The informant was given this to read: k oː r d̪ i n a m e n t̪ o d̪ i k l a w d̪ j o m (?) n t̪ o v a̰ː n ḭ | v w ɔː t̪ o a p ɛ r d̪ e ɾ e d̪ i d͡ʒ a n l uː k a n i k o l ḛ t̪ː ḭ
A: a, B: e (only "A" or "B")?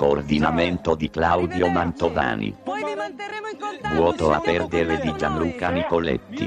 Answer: A